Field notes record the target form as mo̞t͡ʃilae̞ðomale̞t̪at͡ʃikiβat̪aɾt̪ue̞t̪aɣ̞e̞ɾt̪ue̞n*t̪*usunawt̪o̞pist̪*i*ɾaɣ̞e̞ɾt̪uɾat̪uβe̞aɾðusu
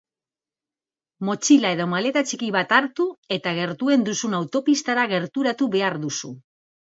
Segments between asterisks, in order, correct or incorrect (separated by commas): incorrect, incorrect